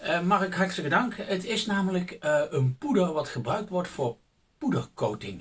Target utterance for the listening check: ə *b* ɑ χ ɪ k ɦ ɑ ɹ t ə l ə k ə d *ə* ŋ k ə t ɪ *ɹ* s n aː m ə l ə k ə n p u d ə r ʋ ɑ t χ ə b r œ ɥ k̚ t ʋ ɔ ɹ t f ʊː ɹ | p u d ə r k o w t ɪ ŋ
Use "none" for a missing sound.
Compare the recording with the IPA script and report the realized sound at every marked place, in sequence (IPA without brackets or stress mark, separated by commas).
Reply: m, ɑ, none